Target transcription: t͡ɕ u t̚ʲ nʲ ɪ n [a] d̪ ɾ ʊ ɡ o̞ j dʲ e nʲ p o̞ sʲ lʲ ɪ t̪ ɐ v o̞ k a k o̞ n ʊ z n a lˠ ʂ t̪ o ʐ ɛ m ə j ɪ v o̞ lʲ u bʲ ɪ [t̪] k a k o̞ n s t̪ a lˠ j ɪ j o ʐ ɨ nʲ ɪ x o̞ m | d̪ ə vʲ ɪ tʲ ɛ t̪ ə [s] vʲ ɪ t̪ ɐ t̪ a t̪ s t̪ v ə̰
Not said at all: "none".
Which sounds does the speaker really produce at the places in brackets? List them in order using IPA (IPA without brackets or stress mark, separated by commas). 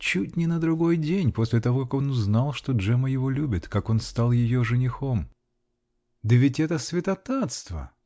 ə, t̪, s